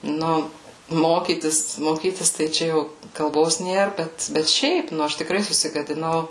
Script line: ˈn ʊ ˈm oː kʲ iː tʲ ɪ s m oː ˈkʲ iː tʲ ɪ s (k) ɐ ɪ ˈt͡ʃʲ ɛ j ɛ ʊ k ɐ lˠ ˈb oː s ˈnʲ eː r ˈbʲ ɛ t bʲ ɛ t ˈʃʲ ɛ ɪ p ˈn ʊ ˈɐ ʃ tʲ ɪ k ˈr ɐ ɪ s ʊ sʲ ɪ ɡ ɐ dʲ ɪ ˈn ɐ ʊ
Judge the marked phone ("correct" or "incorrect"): incorrect